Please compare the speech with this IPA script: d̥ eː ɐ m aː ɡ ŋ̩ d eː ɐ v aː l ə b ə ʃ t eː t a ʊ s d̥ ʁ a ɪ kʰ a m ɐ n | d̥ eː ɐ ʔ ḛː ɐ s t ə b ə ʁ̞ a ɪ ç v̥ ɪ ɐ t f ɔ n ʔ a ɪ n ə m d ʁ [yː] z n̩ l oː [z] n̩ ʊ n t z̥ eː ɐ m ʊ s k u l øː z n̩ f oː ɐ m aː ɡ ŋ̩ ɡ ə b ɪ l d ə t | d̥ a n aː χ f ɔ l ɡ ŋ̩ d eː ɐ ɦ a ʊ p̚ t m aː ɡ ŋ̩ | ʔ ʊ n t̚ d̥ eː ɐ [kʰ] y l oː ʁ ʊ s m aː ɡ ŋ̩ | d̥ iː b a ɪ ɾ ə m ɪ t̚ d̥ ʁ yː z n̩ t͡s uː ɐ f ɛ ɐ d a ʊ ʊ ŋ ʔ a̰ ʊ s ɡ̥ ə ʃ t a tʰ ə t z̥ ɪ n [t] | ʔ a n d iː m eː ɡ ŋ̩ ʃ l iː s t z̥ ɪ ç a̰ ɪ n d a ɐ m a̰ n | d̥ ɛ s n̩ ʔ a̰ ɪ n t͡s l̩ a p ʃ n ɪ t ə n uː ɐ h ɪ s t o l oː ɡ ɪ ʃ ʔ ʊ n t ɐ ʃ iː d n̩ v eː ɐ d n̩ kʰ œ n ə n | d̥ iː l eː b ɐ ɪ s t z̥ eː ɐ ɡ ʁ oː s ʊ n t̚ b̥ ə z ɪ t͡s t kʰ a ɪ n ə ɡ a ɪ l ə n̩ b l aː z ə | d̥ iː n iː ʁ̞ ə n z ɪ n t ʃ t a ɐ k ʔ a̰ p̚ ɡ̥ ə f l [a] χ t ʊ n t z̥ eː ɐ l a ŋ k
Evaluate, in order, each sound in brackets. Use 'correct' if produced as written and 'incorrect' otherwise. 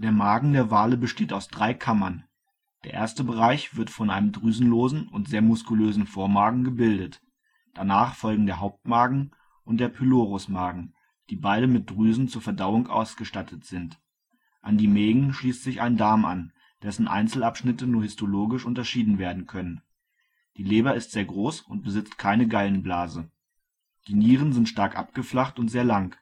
correct, correct, incorrect: pʰ, correct, correct

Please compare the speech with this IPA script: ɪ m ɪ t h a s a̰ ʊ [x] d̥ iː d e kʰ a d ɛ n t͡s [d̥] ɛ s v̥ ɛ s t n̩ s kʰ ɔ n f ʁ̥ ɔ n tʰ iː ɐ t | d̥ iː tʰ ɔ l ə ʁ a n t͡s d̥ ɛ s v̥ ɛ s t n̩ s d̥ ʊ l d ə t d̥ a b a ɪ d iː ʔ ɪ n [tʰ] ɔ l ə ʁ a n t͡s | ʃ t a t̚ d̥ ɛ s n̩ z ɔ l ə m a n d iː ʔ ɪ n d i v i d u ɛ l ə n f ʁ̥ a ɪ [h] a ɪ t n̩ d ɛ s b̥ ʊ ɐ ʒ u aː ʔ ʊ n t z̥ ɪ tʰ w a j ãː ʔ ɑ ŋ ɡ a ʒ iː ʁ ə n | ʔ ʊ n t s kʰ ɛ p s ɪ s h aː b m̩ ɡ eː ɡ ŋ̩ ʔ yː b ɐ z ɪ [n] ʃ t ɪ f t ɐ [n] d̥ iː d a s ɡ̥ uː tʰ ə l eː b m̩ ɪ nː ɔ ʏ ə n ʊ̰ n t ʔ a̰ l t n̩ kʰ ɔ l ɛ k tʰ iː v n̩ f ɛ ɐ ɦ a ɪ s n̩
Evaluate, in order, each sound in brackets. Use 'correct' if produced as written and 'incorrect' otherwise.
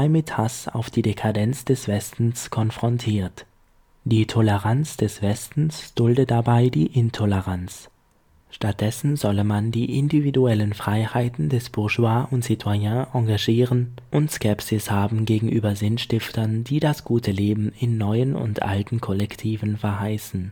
incorrect: f, correct, correct, correct, correct, correct

